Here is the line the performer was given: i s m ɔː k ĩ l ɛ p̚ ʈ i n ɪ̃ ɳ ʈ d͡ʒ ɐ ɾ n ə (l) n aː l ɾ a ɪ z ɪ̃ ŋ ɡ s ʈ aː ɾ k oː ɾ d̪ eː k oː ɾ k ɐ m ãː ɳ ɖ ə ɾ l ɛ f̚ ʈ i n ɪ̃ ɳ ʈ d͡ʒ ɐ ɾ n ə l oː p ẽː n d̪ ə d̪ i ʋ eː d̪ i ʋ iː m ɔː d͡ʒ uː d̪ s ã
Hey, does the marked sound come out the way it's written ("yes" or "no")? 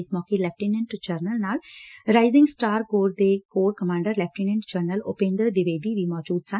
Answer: yes